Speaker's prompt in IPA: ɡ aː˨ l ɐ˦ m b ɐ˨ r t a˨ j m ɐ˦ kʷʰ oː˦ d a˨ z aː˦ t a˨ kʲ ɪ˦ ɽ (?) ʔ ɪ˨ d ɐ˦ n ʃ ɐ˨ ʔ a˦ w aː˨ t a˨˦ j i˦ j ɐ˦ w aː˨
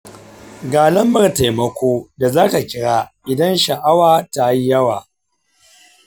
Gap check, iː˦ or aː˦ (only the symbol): aː˦